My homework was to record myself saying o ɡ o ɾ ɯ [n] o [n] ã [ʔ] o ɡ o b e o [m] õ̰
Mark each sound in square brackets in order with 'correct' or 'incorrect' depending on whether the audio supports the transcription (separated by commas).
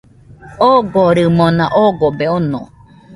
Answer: incorrect, correct, correct, incorrect